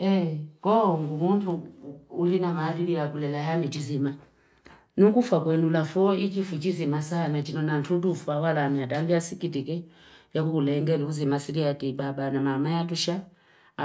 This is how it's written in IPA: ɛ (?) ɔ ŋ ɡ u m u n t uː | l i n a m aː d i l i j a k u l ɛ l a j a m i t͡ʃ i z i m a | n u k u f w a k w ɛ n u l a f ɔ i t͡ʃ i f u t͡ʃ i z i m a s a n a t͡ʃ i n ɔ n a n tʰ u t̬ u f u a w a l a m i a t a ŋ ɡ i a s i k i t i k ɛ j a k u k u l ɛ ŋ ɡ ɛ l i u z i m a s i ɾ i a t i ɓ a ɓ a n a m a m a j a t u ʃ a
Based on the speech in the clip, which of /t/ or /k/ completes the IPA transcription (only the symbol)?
k